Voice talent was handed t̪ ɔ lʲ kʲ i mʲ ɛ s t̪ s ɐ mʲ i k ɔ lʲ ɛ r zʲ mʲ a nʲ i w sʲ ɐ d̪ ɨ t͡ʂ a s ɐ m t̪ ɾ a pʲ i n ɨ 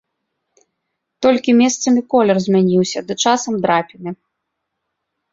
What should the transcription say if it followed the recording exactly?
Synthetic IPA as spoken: t̪ ɔ lʲ kʲ i mʲ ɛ s t̪ s ɐ mʲ i k ɔ lʲ ɛ r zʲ mʲ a nʲ i w sʲ ɐ d̪ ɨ t͡ʂ a s ɐ m d̪ ɾ a pʲ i n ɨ